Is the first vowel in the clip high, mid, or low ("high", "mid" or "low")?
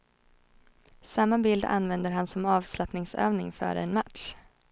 low